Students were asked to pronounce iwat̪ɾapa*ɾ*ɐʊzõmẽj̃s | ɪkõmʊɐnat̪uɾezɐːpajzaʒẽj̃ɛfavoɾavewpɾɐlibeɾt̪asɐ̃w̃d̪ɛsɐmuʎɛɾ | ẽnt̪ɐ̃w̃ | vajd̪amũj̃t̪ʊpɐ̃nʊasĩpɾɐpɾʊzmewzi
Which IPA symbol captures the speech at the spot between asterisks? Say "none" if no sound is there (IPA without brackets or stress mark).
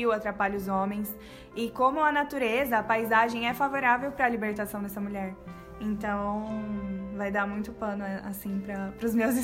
ʎ